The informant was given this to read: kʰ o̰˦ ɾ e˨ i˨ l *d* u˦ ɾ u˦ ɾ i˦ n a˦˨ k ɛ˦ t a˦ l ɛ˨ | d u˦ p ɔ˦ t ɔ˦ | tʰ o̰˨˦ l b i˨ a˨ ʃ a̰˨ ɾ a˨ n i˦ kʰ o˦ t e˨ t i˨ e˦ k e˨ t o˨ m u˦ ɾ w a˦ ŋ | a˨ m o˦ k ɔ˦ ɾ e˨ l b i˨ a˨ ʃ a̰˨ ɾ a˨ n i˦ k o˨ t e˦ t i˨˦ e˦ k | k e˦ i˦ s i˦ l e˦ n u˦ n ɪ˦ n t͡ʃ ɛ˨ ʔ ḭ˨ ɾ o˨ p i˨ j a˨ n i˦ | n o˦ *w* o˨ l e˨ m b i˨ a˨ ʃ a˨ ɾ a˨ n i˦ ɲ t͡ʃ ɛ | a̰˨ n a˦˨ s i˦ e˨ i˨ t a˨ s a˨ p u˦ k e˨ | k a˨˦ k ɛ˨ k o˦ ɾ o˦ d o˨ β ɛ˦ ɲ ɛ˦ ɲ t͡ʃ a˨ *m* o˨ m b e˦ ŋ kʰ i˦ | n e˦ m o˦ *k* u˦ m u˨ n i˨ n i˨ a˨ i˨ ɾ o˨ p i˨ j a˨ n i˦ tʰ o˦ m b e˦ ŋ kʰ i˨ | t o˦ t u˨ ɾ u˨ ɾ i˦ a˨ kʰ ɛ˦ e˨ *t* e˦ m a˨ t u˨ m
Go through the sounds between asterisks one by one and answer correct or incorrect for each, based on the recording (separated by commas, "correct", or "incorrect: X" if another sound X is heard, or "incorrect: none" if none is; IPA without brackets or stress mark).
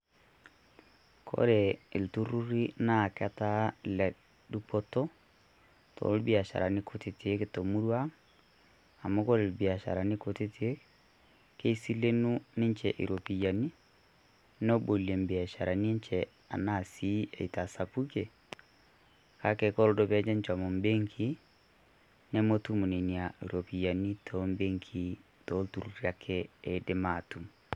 incorrect: t, incorrect: b, correct, incorrect: t, incorrect: d